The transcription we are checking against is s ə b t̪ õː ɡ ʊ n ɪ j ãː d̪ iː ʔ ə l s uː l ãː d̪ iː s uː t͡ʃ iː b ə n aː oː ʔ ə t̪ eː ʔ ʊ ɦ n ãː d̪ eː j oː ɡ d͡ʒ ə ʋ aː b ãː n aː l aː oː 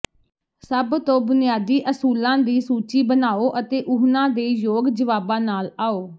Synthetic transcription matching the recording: s ə b t̪ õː b ʊ n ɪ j aː d̪ iː ʔ ə s uː l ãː d̪ iː s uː t͡ʃ iː b ə n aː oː ʔ ə t̪ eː ʔ ʊ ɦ n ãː d̪ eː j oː ɡ d͡ʒ ə ʋ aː b ãː n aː l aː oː

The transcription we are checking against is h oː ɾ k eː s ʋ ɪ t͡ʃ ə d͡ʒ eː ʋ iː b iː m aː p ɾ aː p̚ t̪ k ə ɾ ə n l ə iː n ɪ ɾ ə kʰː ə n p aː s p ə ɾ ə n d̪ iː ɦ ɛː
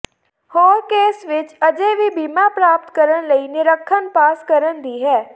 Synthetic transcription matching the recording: h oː ɾ k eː s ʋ ɪ t͡ʃ ə d͡ʒ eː ʋ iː b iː m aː p ɾ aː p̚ t̪ k ə ɾ ə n l ə iː n ɪ ɾ ə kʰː ə n p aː s k ə ɾ ə n d̪ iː ɦ ɛː

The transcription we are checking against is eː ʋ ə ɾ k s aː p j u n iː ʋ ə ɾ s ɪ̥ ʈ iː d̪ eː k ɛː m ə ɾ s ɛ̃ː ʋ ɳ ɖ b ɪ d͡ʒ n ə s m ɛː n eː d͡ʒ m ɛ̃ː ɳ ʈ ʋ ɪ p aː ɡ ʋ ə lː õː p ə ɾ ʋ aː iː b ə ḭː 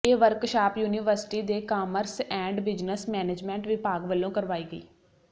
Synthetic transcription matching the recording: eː ʋ ə ɾ k ʃ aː p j uː n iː ʋ ə ɾ s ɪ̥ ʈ iː d̪ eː k aː m ə ɾ s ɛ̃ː ɳ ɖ b ɪ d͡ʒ n ə s m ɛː n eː d͡ʒ m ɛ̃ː ɳ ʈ ʋ ɪ p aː ɡ ʋ ə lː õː k ə ɾ ʋ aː iː ɡ ə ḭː

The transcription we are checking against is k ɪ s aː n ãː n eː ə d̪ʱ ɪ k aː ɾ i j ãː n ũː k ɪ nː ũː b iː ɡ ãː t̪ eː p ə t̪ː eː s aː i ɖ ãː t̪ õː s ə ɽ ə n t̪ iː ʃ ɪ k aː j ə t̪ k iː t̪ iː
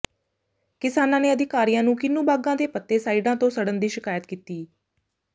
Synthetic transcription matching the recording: k ɪ s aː n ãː n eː ə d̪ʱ ɪ k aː ɾ i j ãː n ũː k ɪ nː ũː b aː ɡ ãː d̪ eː p ə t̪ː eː s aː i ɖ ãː t̪ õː s ə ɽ ə n d̪ iː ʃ ɪ k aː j ə t̪ k iː t̪ iː

